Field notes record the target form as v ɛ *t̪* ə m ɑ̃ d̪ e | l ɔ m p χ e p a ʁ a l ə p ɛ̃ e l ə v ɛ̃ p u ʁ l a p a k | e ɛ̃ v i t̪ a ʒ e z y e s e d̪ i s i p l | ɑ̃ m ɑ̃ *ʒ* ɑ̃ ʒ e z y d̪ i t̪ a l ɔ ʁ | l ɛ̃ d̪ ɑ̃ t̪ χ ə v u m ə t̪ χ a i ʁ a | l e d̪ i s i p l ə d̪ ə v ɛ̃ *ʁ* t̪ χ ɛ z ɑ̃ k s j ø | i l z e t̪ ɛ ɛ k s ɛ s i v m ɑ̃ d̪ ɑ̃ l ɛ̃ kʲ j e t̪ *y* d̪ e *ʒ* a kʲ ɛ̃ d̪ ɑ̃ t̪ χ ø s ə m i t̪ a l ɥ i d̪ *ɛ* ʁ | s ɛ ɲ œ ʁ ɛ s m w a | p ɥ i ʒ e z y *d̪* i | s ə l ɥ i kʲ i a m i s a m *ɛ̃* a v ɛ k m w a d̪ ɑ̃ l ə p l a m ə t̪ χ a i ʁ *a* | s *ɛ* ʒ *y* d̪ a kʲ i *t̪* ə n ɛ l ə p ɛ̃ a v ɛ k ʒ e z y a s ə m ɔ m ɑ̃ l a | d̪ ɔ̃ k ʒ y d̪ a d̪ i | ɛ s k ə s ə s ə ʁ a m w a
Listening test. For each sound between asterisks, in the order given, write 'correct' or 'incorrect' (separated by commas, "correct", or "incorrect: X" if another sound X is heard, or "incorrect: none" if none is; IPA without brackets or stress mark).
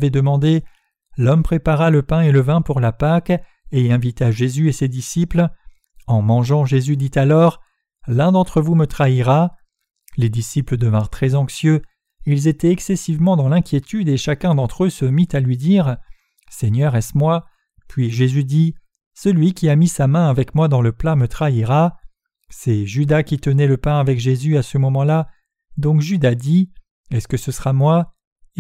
incorrect: d̪, correct, correct, correct, incorrect: ʃ, incorrect: i, correct, correct, correct, correct, correct, correct